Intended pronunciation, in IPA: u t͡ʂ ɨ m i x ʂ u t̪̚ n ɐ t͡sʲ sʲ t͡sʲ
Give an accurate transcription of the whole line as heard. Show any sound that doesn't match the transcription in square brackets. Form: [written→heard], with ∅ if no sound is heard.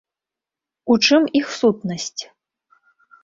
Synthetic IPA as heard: u t͡ʂ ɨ m i x [ʂ→s] u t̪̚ n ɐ [t͡sʲ→∅] sʲ t͡sʲ